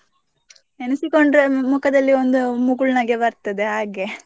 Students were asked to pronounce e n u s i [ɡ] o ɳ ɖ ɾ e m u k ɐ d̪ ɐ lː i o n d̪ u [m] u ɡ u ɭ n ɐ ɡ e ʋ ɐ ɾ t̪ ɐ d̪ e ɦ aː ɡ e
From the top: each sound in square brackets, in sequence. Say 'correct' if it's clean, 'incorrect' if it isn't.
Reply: incorrect, correct

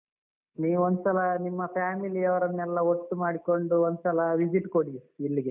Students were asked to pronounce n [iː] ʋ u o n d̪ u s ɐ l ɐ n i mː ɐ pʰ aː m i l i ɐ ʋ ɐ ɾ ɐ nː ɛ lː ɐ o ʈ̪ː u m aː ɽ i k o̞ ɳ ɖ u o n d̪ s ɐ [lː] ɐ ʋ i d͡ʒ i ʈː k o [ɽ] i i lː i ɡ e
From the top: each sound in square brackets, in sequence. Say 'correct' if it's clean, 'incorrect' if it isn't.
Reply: correct, incorrect, correct

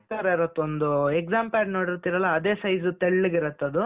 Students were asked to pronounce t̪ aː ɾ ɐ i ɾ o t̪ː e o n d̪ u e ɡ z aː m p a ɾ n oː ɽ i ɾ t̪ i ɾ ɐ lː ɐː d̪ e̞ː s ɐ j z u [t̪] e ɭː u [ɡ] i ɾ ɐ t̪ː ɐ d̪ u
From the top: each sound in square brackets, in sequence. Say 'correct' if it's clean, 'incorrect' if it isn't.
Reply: correct, correct

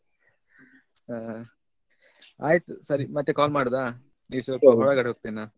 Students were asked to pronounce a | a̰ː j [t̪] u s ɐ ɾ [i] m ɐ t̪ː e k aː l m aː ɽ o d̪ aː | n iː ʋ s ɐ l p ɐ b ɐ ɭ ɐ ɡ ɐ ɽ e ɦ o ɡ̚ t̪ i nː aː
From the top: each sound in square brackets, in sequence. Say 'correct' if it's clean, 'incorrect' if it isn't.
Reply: correct, correct

